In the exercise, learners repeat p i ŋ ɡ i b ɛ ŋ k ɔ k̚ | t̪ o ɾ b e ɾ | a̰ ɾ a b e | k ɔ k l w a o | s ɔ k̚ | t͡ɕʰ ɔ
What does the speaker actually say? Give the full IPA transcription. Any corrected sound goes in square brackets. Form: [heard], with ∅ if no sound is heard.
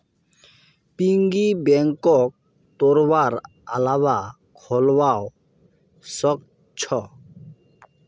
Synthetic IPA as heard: p i ŋ ɡ i b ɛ ŋ k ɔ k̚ | t̪ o ɾ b [a] ɾ | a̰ [l] a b [a] | [kʰ] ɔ [∅] l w a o | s ɔ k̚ | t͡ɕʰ ɔ